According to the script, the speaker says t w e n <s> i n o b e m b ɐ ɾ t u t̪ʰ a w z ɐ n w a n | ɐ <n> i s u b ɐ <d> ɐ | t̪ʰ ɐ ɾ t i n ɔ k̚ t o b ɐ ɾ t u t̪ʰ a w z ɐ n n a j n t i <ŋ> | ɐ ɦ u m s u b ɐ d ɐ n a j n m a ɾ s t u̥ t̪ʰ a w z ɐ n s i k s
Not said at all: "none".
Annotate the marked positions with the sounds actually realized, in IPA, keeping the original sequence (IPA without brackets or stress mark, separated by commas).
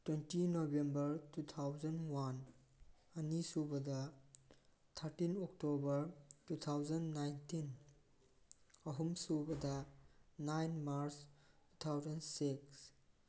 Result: t, n, d, n